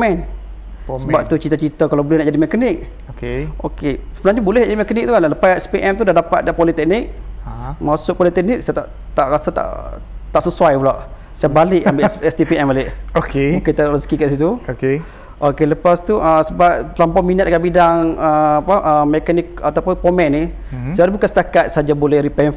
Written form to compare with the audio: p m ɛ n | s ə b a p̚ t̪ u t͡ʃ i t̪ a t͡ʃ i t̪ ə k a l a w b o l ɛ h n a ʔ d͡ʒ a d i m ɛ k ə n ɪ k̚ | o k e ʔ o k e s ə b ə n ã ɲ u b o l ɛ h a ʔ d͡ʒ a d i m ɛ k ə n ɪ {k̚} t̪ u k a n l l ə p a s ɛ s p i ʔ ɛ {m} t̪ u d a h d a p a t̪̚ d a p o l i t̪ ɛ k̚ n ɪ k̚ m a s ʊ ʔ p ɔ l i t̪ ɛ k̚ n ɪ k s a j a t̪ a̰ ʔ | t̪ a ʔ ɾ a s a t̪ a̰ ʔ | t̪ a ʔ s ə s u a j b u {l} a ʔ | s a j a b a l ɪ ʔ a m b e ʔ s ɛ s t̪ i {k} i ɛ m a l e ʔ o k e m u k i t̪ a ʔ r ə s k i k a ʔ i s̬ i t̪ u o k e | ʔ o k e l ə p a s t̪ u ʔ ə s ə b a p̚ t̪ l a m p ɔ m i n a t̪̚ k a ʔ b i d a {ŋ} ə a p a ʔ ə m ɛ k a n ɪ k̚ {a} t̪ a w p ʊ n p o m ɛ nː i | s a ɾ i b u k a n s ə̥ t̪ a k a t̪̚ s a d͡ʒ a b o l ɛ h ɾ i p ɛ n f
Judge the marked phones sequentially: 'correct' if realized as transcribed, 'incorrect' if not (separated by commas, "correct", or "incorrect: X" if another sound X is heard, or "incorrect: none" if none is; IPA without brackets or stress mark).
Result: correct, correct, correct, incorrect: p, correct, correct